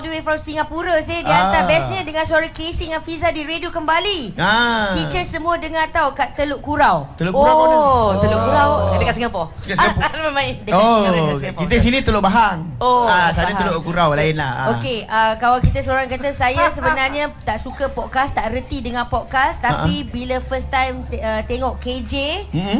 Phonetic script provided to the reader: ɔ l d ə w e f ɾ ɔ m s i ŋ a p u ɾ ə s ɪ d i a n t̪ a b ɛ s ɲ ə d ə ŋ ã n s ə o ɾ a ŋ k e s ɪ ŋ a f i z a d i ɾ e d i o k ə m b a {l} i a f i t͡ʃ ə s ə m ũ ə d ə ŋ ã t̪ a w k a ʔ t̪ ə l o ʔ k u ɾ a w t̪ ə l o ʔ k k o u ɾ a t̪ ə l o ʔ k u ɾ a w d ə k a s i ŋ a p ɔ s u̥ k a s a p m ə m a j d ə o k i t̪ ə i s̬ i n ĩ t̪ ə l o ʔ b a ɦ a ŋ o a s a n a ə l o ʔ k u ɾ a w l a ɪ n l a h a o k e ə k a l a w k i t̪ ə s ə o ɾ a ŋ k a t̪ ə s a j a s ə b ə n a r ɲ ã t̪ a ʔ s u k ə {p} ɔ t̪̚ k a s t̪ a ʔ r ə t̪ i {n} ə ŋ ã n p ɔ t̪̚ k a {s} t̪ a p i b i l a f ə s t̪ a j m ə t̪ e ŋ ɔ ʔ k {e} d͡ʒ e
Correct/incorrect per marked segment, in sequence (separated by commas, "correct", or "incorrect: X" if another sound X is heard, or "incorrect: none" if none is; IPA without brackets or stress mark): correct, correct, incorrect: d, correct, correct